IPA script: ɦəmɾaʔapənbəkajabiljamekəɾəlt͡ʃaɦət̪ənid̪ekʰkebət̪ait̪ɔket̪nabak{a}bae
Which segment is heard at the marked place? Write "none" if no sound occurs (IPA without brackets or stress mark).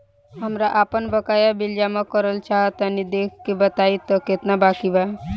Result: i